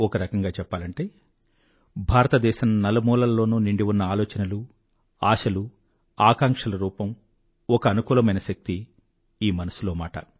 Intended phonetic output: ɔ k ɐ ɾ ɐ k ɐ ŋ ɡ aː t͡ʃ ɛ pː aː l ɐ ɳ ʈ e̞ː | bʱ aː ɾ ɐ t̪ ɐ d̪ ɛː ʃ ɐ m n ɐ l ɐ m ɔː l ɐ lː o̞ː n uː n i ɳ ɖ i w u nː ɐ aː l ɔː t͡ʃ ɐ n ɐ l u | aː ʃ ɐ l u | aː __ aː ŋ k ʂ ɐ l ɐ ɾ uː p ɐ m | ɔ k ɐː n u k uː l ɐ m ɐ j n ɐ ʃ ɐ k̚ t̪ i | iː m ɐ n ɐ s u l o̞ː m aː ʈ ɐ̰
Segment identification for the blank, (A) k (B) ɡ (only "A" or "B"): A